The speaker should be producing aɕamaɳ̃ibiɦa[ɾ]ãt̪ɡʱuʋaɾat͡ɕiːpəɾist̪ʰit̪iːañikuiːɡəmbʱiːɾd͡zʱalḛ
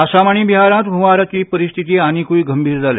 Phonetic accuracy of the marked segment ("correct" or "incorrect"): correct